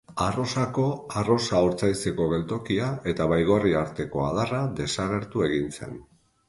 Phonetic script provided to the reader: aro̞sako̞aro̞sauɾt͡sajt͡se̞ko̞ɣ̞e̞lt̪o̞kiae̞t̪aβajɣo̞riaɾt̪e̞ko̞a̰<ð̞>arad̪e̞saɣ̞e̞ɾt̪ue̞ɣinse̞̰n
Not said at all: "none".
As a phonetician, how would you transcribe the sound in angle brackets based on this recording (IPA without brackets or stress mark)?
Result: ð̞